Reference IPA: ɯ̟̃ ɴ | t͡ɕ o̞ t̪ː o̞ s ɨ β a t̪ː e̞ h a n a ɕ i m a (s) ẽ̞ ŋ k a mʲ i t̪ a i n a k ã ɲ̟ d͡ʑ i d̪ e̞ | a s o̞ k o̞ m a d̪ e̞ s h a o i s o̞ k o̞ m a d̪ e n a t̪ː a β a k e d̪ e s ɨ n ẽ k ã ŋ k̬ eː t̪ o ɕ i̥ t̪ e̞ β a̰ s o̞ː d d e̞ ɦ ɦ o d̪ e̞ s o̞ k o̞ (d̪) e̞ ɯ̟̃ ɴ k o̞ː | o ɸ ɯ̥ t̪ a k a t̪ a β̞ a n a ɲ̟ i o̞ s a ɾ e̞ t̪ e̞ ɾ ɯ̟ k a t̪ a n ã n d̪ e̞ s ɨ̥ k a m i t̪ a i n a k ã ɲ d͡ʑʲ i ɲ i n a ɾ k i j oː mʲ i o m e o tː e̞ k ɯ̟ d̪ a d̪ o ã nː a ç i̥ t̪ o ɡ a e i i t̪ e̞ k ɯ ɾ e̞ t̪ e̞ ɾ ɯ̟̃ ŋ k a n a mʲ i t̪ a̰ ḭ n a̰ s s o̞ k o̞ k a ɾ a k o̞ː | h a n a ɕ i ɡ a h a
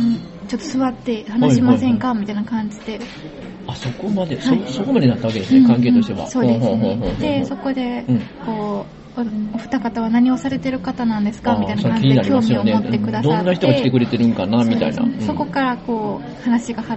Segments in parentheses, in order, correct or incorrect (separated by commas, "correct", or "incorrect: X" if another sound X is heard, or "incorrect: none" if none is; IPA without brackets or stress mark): correct, correct